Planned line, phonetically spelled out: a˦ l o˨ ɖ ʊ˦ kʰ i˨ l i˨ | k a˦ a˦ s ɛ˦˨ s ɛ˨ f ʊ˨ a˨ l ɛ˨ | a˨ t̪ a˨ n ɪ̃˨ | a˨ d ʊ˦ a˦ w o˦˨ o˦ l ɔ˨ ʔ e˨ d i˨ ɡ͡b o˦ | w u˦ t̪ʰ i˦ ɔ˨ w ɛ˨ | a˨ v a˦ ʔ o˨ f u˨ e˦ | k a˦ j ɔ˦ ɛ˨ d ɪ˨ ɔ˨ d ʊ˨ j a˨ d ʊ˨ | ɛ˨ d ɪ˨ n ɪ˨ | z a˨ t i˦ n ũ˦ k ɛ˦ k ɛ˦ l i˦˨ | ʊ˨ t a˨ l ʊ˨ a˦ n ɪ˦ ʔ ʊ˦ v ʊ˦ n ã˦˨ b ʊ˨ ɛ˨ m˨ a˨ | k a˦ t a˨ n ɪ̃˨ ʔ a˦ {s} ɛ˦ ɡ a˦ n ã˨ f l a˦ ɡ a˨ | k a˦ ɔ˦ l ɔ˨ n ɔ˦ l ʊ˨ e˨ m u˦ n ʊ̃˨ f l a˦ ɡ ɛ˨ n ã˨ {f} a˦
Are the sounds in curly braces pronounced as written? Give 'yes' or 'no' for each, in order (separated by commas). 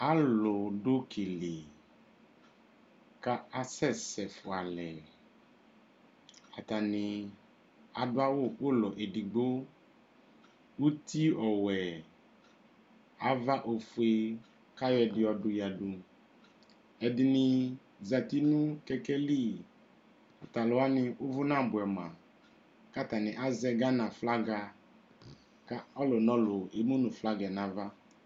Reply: no, no